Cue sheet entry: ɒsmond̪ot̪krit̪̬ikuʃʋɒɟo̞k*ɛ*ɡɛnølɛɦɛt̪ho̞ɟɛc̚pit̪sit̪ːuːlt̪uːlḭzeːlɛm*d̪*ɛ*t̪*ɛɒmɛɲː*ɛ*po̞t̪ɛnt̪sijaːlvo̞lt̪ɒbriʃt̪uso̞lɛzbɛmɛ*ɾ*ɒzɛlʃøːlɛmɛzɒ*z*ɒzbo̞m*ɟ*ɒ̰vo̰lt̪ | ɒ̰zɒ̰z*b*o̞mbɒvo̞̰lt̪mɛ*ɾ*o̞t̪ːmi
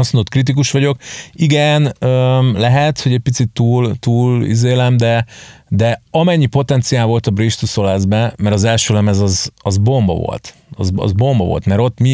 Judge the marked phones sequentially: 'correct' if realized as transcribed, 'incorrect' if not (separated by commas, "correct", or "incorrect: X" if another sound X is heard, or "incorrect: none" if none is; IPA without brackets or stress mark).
incorrect: i, correct, incorrect: d̪, incorrect: i, correct, correct, incorrect: b, correct, correct